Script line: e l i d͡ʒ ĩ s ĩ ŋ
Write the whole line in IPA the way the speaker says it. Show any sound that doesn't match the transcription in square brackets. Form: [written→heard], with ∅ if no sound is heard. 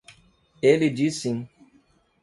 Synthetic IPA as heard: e l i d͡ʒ [ĩ→i] s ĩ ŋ